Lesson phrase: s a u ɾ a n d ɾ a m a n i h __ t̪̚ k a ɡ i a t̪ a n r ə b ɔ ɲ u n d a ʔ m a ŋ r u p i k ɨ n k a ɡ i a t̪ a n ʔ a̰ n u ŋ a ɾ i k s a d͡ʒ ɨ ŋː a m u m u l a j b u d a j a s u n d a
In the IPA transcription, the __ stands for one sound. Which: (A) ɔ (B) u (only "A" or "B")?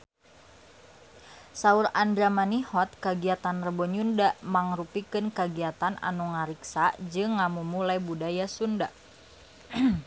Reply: A